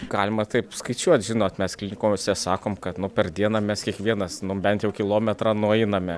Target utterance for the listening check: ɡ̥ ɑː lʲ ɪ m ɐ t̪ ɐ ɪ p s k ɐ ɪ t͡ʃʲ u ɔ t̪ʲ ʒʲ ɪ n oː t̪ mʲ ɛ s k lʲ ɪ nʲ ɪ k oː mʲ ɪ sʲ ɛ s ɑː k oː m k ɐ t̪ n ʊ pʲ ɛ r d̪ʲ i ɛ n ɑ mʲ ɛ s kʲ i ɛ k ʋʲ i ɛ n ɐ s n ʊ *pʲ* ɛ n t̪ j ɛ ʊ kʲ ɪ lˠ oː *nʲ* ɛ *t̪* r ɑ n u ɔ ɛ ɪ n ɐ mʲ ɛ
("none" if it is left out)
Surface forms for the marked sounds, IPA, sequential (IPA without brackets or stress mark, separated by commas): bʲ, mʲ, t̪